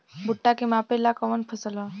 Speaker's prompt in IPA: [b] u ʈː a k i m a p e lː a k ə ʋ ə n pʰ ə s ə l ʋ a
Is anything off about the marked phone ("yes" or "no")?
no